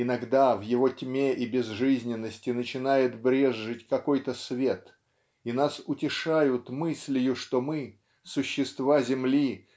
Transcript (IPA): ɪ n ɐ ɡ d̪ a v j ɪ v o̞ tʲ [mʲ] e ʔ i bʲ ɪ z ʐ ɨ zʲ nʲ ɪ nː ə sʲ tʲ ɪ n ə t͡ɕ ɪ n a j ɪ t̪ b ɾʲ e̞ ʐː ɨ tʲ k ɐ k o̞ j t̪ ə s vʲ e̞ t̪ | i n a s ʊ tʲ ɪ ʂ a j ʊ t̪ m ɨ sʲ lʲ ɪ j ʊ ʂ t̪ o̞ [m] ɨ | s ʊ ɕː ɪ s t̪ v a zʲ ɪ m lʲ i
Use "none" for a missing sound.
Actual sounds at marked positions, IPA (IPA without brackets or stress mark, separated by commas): mʲ, m